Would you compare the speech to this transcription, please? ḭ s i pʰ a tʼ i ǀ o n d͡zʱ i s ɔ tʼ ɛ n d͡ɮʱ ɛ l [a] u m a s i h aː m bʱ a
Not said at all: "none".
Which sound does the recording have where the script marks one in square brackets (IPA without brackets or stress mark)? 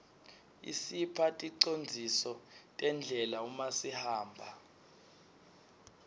a